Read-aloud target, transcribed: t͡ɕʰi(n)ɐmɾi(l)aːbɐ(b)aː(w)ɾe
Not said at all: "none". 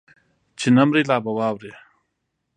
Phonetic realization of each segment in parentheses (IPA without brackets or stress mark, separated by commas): n, l, w, w